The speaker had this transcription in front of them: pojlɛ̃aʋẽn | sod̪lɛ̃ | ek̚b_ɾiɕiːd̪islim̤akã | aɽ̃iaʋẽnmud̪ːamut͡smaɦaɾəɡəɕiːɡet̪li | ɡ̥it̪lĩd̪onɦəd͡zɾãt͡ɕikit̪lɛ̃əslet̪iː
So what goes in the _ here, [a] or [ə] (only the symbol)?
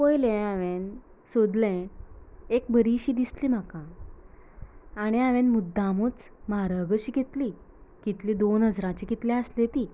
ə